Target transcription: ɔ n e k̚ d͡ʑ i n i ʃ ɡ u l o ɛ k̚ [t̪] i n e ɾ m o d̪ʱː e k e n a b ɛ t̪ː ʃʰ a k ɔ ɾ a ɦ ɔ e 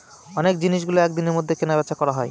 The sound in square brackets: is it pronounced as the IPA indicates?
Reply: no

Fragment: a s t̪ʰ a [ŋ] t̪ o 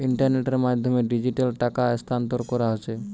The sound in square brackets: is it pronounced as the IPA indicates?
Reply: no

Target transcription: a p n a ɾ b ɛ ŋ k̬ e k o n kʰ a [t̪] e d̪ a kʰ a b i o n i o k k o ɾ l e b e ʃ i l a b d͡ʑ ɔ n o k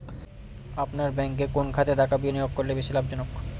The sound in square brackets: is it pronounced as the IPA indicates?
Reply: yes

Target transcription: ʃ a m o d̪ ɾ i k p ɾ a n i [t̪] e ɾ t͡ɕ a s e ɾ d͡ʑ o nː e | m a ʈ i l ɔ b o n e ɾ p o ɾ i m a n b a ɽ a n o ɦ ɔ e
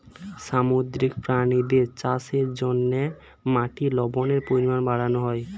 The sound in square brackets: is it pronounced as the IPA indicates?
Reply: no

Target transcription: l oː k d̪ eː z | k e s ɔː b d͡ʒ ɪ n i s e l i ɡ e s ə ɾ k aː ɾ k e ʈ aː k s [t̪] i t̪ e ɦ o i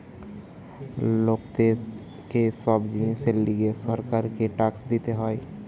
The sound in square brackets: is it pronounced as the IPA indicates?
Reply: no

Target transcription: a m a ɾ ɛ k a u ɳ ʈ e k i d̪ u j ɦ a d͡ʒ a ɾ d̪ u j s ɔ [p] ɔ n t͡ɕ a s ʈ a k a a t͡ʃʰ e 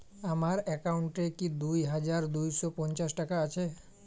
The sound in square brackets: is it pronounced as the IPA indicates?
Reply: yes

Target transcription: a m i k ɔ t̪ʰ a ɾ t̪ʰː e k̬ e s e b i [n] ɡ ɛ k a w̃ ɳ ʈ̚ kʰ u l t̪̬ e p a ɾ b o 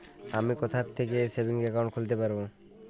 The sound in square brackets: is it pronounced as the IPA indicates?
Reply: no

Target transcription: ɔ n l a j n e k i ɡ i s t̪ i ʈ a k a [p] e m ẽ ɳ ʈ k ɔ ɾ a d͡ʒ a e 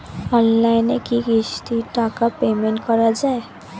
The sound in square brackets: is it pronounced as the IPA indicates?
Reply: yes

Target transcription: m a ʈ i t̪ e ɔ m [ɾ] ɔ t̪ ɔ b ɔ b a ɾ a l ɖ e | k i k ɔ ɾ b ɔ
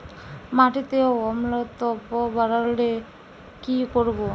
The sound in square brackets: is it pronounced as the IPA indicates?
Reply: no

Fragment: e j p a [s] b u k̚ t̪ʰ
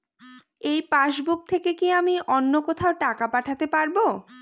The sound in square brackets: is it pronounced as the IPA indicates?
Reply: no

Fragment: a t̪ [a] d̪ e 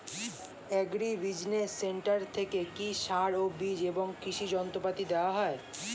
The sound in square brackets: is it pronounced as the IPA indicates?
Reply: no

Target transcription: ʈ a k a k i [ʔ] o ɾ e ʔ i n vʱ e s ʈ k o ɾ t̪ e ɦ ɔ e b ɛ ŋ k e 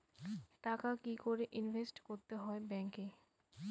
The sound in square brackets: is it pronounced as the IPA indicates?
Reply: no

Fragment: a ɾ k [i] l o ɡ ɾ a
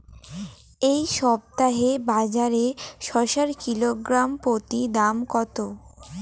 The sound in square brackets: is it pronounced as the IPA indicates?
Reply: yes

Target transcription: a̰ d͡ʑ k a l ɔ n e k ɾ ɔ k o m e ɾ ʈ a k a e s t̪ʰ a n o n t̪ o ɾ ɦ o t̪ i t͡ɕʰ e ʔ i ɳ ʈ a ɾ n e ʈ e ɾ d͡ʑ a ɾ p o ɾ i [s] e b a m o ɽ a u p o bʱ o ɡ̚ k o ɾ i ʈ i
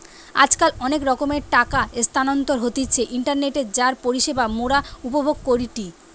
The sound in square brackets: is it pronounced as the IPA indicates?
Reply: no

